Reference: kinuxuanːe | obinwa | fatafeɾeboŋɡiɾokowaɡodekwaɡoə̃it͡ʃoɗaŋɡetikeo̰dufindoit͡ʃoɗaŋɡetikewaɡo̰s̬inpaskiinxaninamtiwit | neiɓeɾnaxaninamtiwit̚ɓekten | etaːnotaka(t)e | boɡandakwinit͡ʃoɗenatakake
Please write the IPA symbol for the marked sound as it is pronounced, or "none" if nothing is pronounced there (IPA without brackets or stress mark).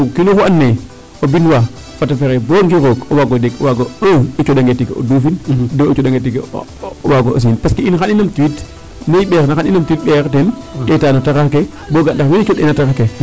k